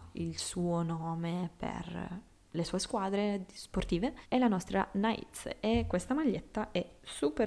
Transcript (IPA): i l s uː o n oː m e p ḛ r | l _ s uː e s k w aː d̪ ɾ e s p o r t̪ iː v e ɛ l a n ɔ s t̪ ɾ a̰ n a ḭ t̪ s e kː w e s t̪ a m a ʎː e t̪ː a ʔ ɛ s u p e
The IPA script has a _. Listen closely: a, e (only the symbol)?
e